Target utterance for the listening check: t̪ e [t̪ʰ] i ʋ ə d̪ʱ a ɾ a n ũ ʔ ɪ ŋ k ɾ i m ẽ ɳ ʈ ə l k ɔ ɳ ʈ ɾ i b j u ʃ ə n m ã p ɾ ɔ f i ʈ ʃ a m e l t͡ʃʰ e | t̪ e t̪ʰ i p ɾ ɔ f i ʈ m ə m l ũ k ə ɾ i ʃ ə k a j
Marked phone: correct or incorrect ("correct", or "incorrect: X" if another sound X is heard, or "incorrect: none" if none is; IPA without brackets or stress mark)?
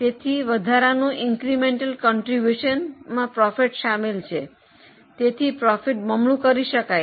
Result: correct